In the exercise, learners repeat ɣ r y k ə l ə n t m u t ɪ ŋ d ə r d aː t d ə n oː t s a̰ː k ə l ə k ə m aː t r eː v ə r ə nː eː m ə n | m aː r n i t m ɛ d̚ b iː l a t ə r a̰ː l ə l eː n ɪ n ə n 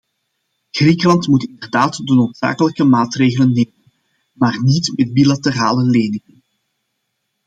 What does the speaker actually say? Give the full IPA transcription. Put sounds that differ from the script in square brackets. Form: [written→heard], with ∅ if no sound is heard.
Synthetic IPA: ɣ r [y→i] k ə l [ə→ɑ] n t m u t ɪ [ŋ→n] d ə r d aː t d ə n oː t s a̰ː k ə l ə k ə m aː t r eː [v→ɣ] ə [r→l] ə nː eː m ə n | m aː r n i t m ɛ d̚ b [iː→i] l a t ə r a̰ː l ə l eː n ɪ [n→ŋ] ə n

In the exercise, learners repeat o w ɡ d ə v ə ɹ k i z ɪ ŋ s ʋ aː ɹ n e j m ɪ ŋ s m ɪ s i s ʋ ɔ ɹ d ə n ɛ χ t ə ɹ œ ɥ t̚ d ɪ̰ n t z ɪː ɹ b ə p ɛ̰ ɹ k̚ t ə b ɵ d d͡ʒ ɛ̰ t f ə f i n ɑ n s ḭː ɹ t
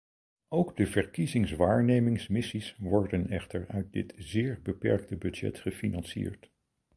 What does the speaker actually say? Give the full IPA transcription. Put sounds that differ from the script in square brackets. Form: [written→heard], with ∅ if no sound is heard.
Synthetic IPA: o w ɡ d ə v ə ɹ k i z ɪ ŋ s ʋ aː ɹ n e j m ɪ ŋ s m ɪ s i s ʋ ɔ ɹ d ə n ɛ χ t ə ɹ œ ɥ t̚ d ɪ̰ [n→∅] t z ɪː ɹ b ə p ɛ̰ ɹ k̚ t ə b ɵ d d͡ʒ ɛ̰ t [f→χ] ə f i n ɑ n s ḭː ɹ t

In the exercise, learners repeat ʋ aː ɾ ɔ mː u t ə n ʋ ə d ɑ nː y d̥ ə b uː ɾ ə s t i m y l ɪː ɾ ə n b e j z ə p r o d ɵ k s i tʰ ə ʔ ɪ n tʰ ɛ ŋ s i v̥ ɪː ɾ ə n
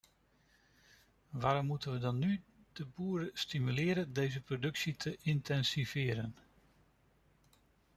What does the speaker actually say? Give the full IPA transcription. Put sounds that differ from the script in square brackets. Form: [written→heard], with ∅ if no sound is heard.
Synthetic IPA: ʋ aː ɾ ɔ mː u t ə n ʋ ə d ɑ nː y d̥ ə b uː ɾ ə s t i m y l ɪː ɾ ə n [b→d] e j z ə p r o d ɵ k s i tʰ ə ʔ ɪ n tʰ ɛ [ŋ→n] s i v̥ ɪː ɾ ə n

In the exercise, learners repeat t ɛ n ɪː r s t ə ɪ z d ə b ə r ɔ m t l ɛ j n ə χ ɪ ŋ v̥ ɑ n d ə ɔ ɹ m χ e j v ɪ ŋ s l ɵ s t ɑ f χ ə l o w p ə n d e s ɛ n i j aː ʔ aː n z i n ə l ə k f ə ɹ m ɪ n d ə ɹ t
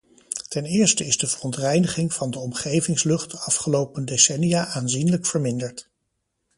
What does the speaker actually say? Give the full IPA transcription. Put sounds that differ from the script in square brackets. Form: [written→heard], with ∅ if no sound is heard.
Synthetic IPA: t ɛ n ɪː [r→ɹ] s t ə ɪ z d ə [b→v] ə r ɔ [m→n] t [l→r] ɛ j n ə χ ɪ ŋ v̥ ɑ n d ə ɔ [ɹ→∅] m χ e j v ɪ ŋ s l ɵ [s→χ] t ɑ f χ ə l o w p ə n d e s ɛ n i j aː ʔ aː n z i n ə l ə k f ə ɹ m ɪ n d ə ɹ t

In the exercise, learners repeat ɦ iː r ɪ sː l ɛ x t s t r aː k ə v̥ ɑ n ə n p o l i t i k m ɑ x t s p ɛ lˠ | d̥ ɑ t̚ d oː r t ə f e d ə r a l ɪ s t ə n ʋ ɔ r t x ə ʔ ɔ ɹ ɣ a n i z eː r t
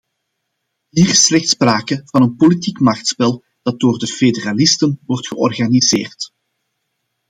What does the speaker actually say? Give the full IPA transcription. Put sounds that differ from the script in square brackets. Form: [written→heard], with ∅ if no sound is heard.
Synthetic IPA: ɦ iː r ɪ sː l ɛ x t s [t→p] r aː k ə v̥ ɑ n ə n p o l i t i k m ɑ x t s p ɛ lˠ | d̥ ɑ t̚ d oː r [t→d] ə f e d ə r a l ɪ s t ə n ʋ ɔ r t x ə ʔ ɔ [ɹ→r] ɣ a n i z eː r t

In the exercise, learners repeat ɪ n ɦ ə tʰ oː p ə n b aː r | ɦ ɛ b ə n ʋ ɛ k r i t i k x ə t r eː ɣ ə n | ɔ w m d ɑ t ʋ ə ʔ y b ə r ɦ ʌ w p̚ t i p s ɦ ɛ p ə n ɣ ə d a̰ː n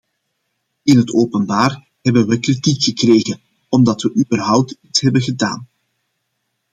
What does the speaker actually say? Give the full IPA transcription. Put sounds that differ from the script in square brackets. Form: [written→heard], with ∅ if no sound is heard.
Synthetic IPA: ɪ n ɦ ə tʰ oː p ə n b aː r | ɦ ɛ b ə n ʋ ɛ k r i t i k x ə [t→k] r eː ɣ ə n | ɔ [w→∅] m d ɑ t ʋ ə ʔ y b ə r ɦ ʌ w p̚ t i [p→t] s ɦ ɛ [p→b] ə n ɣ ə d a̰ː n

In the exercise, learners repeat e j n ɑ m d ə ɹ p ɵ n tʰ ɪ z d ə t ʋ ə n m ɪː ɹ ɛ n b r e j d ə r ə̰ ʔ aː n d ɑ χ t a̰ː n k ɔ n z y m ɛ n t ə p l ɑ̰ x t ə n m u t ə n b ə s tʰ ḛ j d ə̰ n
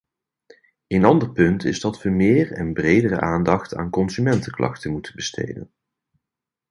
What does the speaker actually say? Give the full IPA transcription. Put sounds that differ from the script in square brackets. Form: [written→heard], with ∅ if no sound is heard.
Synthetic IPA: e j n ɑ [m→n] d ə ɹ p ɵ n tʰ ɪ z d [ə→ɑ] t ʋ ə [n→∅] m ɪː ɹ ɛ n b r e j d ə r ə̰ ʔ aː n d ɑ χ t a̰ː n k ɔ n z y m ɛ n t ə [p→k] l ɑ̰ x t ə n m u t ə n b ə s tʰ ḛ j d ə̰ n

